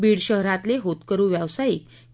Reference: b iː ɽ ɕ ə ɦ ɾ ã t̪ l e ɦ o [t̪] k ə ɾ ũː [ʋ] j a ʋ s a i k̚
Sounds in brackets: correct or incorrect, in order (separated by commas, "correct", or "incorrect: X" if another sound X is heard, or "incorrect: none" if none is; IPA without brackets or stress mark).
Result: correct, correct